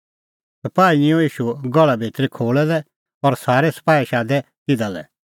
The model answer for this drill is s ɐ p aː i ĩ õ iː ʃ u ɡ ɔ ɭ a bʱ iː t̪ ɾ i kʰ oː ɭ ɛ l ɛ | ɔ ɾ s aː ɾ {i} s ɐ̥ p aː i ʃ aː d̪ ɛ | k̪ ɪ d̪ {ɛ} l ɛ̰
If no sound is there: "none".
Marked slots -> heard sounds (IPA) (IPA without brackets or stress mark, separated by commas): ɛ, a